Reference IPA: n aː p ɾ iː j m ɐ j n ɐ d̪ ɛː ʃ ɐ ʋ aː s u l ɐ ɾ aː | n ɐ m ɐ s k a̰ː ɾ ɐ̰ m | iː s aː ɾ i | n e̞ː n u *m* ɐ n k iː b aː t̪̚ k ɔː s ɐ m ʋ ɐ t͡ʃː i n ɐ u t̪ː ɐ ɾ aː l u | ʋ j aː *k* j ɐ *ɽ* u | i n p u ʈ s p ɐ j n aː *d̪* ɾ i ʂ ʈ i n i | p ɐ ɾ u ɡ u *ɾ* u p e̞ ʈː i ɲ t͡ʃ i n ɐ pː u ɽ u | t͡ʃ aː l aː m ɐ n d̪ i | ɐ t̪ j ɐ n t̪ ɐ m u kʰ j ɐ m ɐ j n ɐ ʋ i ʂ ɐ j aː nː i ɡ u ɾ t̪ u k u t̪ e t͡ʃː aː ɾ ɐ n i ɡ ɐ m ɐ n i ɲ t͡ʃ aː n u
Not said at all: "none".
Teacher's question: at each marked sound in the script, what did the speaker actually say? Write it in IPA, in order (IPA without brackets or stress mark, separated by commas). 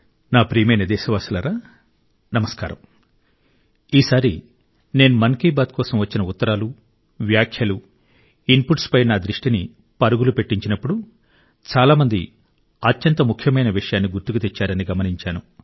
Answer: m, kʰ, l, d̪, l